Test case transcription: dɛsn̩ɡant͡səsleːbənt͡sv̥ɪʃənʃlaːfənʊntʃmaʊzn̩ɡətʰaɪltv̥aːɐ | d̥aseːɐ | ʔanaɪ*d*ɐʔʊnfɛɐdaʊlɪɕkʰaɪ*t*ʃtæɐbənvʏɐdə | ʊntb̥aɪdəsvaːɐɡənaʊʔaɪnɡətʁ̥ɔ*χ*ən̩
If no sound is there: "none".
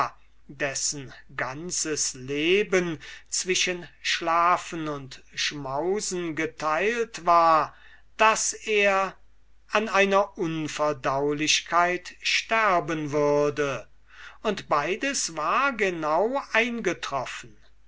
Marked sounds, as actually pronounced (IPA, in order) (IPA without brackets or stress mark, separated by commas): n, t, f